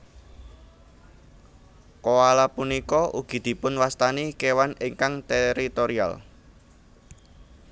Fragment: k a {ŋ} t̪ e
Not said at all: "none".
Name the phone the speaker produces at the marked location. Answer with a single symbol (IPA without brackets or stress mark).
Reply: ŋ